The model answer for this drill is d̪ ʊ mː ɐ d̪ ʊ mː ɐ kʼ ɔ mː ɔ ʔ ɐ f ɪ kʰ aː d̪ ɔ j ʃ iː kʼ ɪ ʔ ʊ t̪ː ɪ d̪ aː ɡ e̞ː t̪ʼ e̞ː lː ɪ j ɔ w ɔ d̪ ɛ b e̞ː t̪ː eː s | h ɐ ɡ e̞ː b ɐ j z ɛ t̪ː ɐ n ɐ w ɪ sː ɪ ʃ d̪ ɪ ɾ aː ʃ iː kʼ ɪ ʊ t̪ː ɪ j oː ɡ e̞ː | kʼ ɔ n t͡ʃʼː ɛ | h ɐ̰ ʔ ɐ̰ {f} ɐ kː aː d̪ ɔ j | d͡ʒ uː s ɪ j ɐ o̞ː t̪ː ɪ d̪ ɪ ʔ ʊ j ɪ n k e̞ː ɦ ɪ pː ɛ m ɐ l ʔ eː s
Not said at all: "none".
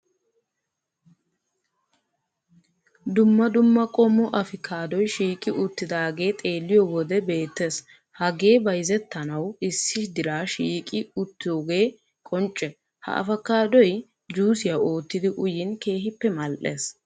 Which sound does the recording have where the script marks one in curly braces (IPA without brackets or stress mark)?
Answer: f